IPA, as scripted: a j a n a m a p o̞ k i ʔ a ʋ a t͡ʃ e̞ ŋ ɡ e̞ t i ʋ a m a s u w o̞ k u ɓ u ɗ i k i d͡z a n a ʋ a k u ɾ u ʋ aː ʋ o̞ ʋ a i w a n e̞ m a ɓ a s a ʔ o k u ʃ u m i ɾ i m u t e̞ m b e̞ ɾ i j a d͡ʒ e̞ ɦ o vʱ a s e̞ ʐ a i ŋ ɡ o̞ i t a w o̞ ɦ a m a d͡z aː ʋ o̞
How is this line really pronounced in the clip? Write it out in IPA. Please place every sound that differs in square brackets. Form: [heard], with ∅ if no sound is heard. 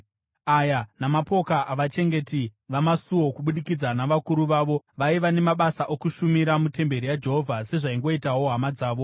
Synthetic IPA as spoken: a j a n a m a p o̞ k [a] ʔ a ʋ a t͡ʃ e̞ ŋ ɡ e̞ t i ʋ a m a s u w o̞ k u ɓ u ɗ i k i d͡z a n a ʋ a k u ɾ u ʋ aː ʋ o̞ ʋ a i [ʋ] a n e̞ m a ɓ a s a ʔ o k u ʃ u m i ɾ [a] m u t e̞ m b e̞ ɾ i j a d͡ʒ e̞ ɦ o vʱ a s e̞ ʐ a i ŋ ɡ o̞ i t a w o̞ ɦ a m a d͡z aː ʋ o̞